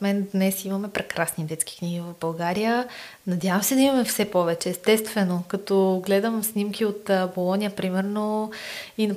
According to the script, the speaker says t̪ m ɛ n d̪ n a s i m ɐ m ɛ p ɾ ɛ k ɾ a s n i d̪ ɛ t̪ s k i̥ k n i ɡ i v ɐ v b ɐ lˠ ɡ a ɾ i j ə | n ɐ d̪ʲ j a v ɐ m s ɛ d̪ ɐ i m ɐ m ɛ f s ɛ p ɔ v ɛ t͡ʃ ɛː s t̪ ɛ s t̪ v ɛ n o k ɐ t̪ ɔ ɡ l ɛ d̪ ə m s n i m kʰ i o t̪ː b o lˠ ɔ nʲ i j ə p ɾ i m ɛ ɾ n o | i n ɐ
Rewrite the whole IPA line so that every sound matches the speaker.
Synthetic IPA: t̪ m ɛ n d̪ n ɛ s i m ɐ m ɛ p ɾ ɛ k ɾ a s n i d̪ ɛ t̪ s k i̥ k n i ɡ i v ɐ v b ɐ lˠ ɡ a ɾ i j ə | n ɐ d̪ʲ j a v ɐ m s ɛ d̪ ɐ i m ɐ m ɛ f s ɛ p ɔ v ɛ t͡ʃ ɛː s t̪ ɛ s t̪ v ɛ n o k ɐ t̪ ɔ ɡ l ɛ d̪ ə m s n i m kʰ i o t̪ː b o lˠ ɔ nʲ i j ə p ɾ i m ɛ ɾ n o | i n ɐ